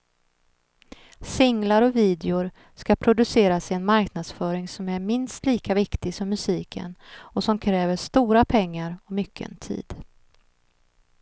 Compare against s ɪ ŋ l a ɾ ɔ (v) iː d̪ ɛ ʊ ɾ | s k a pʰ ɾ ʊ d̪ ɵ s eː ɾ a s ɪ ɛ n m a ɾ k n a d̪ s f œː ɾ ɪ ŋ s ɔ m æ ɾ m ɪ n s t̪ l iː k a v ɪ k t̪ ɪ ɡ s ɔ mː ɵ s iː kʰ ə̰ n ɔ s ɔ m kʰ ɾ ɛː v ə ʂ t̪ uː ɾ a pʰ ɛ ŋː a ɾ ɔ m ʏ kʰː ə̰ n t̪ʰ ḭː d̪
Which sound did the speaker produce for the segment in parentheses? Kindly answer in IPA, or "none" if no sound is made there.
v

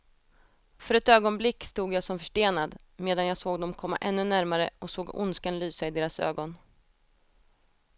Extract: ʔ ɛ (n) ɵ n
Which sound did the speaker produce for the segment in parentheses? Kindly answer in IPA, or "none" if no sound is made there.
nː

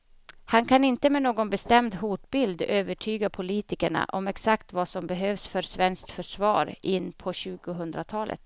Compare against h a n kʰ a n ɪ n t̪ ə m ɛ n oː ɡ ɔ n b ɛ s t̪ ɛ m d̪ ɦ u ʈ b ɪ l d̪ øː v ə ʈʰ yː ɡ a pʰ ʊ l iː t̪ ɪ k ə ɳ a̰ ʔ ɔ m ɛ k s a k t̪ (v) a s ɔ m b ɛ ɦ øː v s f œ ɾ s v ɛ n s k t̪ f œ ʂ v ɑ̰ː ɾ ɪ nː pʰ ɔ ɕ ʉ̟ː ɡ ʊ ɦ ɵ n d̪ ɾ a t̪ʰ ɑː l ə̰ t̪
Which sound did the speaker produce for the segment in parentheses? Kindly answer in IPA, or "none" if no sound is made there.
v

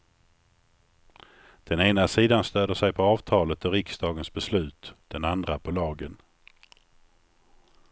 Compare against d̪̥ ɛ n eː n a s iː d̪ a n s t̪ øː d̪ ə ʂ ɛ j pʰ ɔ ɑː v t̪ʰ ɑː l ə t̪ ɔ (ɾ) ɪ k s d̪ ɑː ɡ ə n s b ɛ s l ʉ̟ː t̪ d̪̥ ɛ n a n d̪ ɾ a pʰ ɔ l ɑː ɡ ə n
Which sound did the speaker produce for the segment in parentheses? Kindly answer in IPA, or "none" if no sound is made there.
ɾ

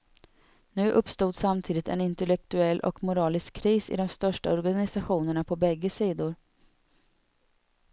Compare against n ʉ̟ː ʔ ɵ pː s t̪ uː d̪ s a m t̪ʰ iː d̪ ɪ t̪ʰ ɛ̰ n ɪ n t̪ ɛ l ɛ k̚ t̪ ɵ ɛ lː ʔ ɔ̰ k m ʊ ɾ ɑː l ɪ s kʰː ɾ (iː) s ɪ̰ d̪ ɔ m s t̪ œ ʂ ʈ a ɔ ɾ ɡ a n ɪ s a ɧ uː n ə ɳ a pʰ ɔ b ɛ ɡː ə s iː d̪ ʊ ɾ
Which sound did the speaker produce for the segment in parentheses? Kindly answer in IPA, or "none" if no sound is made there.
iː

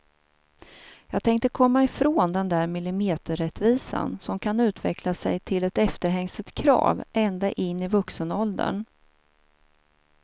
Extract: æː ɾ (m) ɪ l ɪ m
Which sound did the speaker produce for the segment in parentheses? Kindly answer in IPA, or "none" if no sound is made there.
m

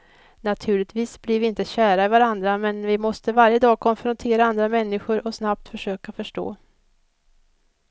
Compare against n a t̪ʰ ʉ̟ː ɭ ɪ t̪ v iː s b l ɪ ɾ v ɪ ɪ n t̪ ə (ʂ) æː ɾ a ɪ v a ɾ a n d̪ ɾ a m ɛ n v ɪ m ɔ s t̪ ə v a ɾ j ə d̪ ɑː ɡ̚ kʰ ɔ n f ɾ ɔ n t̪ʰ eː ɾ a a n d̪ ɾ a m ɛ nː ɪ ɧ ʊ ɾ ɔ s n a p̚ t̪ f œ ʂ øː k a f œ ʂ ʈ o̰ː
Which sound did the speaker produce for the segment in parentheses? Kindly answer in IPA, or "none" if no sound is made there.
ɕ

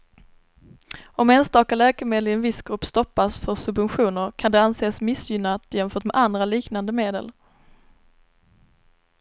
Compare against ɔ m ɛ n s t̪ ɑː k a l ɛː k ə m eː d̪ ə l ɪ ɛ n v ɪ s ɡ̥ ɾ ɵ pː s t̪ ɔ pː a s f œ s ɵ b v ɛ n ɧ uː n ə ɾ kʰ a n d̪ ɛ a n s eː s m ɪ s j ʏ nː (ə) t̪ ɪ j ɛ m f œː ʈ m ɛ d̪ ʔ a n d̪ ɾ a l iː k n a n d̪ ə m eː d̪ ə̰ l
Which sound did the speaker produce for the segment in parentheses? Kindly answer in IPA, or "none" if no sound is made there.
a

